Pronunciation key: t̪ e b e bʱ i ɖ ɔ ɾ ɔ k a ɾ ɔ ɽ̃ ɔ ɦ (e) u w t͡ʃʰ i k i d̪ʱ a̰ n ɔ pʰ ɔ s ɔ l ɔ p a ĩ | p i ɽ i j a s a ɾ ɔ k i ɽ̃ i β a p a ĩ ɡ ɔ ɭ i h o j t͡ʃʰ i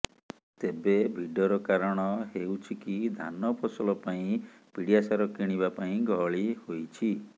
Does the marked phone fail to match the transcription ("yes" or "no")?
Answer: no